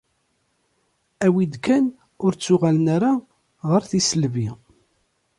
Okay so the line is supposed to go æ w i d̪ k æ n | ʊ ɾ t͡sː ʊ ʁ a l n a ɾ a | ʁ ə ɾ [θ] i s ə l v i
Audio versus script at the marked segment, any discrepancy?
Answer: no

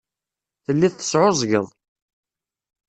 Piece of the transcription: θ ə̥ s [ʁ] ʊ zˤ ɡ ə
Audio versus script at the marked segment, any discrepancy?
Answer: yes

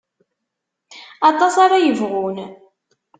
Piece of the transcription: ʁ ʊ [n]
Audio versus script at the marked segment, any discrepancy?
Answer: no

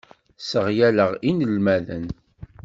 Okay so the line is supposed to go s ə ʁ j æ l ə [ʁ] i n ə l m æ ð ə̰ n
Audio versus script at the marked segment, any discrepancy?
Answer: no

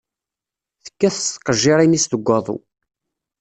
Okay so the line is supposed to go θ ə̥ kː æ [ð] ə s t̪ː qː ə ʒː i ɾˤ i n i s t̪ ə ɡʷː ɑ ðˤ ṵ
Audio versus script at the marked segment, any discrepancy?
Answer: yes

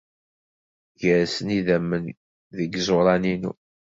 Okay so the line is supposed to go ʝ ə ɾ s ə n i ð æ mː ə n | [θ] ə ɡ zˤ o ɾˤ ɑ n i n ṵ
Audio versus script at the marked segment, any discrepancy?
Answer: yes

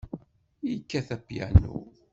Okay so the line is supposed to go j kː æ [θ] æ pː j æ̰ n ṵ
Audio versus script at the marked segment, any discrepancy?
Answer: no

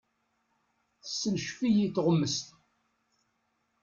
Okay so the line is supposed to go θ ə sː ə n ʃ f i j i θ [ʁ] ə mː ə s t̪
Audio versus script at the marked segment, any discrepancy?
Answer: no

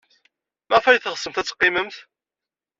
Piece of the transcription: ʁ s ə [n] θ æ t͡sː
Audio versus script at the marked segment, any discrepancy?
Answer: yes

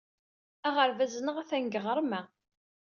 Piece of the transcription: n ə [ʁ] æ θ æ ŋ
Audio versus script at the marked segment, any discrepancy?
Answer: no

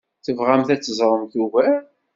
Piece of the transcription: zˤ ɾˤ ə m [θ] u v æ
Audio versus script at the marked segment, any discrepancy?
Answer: no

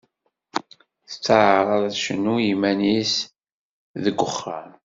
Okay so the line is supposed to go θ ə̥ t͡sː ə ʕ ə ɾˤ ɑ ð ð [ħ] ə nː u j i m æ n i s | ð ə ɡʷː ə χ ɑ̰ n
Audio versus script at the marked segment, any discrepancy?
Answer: yes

